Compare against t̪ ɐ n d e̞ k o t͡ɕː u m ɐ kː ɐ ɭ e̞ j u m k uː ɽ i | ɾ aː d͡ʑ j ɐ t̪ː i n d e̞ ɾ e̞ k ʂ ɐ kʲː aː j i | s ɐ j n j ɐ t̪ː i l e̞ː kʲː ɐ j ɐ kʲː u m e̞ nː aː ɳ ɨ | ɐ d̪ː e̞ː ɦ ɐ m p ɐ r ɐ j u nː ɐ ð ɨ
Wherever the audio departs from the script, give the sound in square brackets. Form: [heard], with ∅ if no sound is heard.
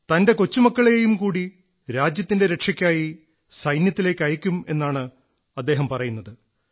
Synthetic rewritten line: t̪ ɐ n d e̞ k o t͡ɕː u m ɐ kː ɐ ɭ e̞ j u m k uː ɽ i | ɾ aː d͡ʑ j ɐ t̪ː i n d e̞ ɾ e̞ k ʂ ɐ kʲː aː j i | s ɐ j n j ɐ t̪ː i l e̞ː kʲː ɐ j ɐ kʲː u m e̞ nː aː ɳ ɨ | ɐ d̪ː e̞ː ɦ ɐ m p ɐ r ɐ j u nː ɐ ð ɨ